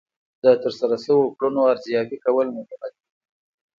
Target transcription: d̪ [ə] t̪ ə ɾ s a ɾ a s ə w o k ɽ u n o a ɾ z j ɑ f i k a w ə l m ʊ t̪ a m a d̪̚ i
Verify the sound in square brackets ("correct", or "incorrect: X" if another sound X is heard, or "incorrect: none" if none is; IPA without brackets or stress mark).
correct